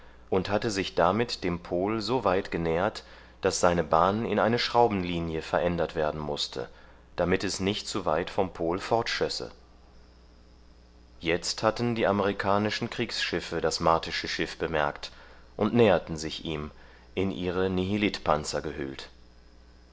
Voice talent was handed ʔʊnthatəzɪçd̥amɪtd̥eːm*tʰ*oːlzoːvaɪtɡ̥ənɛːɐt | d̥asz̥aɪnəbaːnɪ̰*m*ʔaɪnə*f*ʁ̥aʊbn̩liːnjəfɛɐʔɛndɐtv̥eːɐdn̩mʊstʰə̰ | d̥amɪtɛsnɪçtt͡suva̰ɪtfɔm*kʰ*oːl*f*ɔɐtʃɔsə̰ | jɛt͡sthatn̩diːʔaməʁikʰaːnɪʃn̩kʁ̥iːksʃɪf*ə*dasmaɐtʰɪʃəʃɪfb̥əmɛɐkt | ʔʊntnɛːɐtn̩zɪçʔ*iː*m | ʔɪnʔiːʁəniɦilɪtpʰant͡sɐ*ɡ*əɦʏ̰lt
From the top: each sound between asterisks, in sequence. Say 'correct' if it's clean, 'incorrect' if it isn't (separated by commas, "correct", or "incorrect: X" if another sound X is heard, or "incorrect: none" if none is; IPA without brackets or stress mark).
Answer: incorrect: pʰ, incorrect: n, incorrect: ʃ, incorrect: pʰ, correct, correct, correct, correct